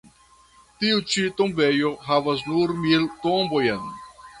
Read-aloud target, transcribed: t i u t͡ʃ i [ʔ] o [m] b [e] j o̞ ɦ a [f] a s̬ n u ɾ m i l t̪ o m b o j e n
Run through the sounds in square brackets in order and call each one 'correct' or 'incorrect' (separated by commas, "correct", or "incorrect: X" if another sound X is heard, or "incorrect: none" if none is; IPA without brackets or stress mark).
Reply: incorrect: t, correct, correct, incorrect: v